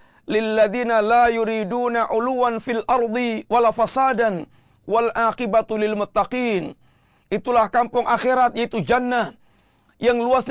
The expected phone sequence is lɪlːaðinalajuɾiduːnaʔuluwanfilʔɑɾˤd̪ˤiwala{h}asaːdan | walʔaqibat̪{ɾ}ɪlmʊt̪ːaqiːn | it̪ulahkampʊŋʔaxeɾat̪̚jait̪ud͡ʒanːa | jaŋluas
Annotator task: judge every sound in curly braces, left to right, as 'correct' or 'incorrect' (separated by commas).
incorrect, incorrect